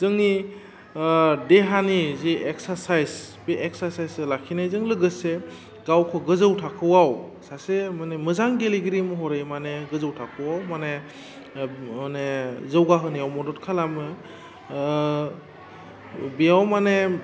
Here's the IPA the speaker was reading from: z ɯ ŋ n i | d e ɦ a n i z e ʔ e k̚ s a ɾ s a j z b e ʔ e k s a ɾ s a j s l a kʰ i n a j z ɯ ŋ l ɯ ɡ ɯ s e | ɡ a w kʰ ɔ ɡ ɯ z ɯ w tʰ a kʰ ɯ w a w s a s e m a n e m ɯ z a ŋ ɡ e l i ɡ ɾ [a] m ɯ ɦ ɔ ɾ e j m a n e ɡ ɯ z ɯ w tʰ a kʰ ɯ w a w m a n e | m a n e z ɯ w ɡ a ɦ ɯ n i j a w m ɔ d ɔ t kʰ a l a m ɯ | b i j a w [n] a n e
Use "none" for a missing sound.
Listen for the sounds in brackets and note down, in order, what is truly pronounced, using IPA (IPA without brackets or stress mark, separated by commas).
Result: i, m